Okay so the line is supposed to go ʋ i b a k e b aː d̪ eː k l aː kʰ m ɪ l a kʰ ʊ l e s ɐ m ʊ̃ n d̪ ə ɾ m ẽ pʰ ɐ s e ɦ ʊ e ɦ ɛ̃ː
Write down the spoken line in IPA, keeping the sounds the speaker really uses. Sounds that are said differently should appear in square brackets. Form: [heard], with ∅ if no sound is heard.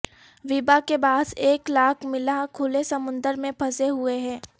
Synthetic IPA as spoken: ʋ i b a k e b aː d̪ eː k l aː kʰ m ɪ l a kʰ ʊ l e s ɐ m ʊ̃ n d̪ ə ɾ m ẽ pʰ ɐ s e ɦ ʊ e ɦ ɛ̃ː